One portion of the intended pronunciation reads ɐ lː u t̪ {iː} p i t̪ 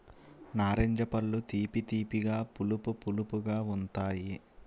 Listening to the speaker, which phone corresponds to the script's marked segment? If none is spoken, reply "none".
iː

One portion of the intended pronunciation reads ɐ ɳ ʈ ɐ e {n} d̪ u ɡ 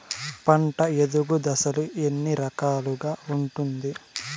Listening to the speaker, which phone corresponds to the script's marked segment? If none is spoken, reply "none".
none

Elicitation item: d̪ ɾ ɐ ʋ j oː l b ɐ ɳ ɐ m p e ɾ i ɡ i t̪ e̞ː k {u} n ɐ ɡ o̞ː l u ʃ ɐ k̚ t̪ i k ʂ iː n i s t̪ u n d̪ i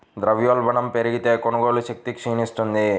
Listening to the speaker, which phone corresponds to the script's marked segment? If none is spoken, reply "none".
o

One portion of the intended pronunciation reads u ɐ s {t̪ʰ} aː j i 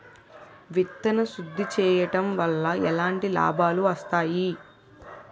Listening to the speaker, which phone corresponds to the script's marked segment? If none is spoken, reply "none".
t̪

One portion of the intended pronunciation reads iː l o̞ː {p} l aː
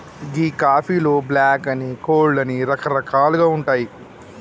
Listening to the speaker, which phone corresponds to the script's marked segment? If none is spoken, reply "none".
b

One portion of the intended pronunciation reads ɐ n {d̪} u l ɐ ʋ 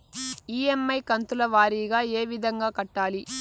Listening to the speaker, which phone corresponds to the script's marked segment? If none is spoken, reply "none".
t̪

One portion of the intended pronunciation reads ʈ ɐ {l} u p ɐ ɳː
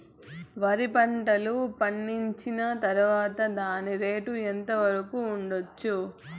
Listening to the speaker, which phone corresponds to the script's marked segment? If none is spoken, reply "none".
l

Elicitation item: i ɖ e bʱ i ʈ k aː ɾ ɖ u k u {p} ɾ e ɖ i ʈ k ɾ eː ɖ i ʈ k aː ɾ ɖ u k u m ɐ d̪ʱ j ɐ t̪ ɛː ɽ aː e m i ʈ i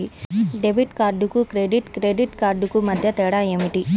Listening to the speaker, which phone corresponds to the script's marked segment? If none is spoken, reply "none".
k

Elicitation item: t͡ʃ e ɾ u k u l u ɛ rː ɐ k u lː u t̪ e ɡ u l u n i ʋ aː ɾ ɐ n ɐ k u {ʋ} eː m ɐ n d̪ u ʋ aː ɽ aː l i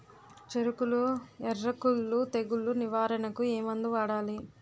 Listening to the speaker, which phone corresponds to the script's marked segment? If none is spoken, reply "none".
none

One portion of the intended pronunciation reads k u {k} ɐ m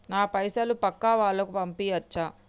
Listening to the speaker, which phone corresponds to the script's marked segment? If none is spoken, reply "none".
p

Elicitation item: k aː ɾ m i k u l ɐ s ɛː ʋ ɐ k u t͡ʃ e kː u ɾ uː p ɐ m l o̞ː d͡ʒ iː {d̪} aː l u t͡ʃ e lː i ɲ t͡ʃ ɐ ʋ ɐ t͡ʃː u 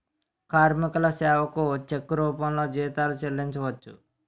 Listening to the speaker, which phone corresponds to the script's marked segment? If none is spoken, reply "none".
t̪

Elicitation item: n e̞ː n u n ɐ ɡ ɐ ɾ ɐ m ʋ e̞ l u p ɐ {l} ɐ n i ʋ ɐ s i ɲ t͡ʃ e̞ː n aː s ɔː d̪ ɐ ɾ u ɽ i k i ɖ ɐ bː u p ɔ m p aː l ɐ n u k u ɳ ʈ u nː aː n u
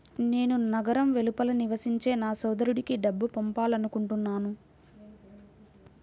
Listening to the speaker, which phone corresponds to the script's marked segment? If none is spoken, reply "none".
l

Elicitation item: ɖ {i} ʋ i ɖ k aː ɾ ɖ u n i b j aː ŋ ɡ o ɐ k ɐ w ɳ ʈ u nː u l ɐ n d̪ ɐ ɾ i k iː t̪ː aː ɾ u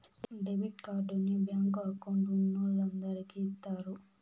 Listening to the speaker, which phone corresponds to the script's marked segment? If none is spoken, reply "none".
e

